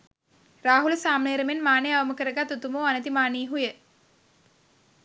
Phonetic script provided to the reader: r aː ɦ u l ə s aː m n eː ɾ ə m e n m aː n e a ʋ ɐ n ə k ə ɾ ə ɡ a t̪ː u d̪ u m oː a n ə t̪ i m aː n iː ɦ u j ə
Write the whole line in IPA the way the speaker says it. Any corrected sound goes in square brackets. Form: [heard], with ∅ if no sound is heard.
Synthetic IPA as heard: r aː ɦ u l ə s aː m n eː ɾ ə m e n m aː n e a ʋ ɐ [m] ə k ə ɾ ə ɡ a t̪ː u [t̪] u m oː a n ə t̪ i m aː n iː ɦ u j ə